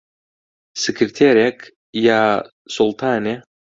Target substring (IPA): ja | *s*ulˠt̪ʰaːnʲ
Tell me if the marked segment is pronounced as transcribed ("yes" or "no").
yes